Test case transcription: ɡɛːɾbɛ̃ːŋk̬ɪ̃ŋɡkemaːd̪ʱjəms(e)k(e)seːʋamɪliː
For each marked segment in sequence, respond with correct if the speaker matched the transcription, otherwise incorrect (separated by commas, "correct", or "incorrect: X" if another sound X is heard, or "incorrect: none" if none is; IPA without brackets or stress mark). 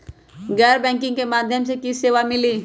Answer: correct, incorrect: i